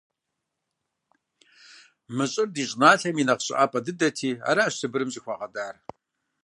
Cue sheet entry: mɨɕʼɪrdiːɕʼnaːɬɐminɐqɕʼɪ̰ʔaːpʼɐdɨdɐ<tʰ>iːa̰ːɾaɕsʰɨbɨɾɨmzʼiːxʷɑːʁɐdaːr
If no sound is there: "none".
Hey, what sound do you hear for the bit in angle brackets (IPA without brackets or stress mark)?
tʰ